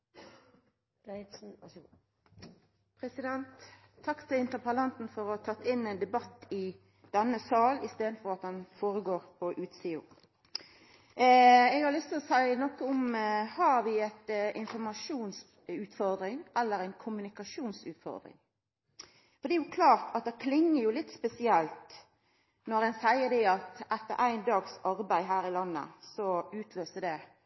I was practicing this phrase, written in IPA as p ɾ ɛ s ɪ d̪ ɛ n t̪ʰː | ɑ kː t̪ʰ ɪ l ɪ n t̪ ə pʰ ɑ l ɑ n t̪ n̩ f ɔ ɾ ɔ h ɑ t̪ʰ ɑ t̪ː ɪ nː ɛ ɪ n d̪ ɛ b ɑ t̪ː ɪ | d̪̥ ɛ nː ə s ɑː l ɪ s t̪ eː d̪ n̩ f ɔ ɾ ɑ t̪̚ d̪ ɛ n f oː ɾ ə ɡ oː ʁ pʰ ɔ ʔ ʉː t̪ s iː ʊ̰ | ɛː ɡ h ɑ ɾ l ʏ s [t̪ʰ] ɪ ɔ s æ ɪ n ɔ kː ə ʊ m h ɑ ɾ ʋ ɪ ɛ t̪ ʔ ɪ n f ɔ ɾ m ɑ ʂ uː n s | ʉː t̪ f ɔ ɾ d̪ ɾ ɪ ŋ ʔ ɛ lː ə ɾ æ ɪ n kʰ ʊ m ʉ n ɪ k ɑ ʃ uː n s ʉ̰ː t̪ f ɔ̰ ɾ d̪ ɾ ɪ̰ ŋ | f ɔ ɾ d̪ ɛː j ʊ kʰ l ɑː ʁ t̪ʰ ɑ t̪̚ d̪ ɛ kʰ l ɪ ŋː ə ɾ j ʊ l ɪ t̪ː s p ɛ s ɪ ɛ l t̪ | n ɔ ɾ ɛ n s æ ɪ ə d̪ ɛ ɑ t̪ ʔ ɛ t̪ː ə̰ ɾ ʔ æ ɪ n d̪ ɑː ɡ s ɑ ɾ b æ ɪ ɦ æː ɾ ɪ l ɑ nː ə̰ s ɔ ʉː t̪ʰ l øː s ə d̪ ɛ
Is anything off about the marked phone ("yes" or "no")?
yes